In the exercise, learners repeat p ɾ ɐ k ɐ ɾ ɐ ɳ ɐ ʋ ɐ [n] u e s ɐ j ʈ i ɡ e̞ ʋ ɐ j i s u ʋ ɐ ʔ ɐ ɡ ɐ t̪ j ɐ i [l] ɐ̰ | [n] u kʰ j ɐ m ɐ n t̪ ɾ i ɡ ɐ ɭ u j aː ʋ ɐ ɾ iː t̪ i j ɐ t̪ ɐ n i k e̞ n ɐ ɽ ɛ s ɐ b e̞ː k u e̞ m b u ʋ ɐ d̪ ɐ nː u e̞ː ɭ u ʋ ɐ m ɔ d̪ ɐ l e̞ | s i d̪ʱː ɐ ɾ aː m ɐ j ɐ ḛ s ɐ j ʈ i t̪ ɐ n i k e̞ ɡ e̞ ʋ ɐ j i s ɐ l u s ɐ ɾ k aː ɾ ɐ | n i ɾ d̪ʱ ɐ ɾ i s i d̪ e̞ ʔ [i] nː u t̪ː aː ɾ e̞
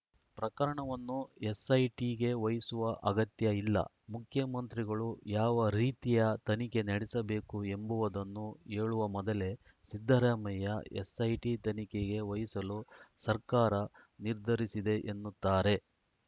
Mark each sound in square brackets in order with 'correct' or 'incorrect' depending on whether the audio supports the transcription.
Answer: incorrect: nː, incorrect: lː, incorrect: m, incorrect: e

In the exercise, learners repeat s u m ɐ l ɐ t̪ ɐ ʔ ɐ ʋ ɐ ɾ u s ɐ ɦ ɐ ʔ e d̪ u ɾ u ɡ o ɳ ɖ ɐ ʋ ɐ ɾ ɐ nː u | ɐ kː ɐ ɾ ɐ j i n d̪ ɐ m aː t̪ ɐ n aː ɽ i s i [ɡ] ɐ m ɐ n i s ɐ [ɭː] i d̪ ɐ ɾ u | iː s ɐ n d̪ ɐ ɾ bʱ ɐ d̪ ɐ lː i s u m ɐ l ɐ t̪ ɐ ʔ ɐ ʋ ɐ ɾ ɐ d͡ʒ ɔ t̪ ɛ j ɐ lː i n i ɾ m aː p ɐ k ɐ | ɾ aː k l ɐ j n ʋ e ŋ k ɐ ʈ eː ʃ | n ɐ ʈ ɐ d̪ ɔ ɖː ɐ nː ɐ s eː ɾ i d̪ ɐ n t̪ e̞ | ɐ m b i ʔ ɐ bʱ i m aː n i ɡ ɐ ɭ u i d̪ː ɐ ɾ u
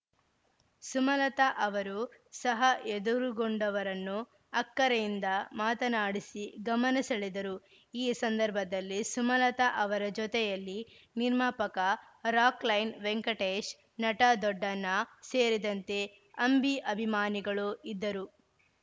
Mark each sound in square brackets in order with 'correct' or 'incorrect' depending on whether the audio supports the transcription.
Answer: correct, incorrect: ɭ

